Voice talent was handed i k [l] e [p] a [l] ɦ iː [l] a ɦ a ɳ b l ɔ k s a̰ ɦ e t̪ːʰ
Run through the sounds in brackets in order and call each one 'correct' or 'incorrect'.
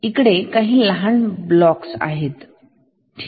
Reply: incorrect: ɽ, incorrect: k, incorrect: none, correct

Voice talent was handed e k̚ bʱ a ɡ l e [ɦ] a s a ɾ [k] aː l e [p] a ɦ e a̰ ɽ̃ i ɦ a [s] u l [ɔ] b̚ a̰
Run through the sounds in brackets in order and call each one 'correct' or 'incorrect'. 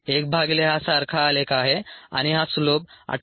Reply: correct, incorrect: kʰ, incorrect: k, correct, incorrect: o

